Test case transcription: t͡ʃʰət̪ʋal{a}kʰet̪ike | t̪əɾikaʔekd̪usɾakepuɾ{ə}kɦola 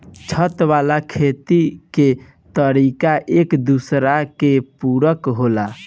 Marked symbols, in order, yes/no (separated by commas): yes, yes